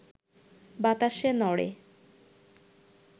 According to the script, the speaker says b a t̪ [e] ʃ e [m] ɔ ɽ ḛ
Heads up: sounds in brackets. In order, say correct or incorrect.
incorrect: a, incorrect: n

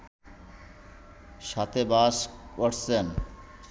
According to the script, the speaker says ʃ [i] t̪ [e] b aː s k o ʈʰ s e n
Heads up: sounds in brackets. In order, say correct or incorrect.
incorrect: a, correct

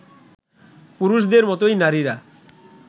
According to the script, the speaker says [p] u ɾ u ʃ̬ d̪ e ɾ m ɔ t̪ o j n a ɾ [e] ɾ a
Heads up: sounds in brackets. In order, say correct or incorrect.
correct, incorrect: i

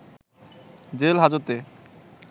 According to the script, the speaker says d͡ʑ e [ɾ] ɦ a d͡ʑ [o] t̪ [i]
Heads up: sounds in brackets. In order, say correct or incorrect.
incorrect: l, correct, incorrect: e

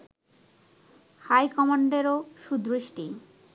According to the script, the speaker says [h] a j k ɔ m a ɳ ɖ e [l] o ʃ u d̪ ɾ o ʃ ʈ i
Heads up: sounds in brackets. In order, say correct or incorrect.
correct, incorrect: ɾ

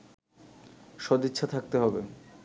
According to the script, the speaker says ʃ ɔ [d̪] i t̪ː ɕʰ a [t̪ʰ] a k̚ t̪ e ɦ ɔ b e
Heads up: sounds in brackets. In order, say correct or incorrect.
correct, correct

